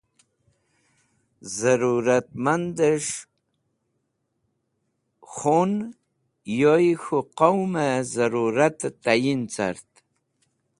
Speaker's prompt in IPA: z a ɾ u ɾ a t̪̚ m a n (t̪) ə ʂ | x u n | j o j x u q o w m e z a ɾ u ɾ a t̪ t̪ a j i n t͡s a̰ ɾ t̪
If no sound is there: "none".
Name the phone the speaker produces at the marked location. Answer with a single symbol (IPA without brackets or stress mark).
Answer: d̪